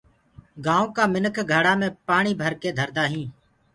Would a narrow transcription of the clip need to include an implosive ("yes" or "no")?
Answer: no